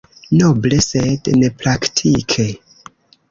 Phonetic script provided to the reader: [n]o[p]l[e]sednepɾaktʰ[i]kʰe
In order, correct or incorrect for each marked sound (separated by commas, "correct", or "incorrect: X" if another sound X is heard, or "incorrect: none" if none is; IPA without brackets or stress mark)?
correct, incorrect: b, correct, correct